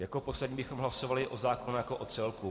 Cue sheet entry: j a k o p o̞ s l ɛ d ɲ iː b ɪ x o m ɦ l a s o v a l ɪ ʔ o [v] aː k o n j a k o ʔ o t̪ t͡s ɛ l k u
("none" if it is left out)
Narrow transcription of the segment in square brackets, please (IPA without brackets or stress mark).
z